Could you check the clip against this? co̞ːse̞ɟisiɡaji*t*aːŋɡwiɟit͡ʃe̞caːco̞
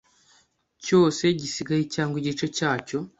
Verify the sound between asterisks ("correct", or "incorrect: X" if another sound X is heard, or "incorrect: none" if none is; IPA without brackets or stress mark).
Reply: incorrect: c